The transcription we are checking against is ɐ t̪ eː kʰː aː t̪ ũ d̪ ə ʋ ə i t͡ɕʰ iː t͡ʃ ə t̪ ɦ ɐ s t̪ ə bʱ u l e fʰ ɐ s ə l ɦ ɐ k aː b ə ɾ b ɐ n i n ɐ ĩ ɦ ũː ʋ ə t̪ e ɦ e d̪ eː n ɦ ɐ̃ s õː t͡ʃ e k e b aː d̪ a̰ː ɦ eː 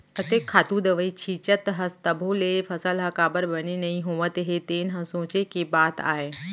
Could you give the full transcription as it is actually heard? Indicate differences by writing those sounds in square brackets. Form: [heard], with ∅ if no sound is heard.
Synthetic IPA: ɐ t̪ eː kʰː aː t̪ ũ d̪ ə ʋ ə i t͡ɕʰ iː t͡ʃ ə t̪ ɦ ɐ s t̪ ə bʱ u l e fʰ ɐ s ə l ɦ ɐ k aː b ə ɾ b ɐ n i n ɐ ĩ ɦ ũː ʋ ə t̪ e ɦ e [t̪] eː n ɦ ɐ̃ s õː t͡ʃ e k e b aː [t̪] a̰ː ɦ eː